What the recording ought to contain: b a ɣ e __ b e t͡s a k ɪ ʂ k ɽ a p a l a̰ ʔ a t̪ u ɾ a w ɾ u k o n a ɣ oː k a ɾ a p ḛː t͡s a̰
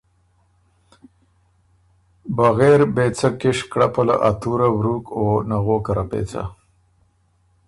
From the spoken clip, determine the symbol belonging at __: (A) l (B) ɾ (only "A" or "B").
B